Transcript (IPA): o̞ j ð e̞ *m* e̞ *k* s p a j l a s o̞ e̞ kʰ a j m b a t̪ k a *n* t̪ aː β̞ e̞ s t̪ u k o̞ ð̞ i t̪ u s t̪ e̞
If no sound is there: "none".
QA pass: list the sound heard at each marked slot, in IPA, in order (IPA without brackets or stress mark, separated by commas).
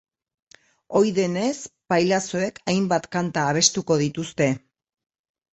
n, none, n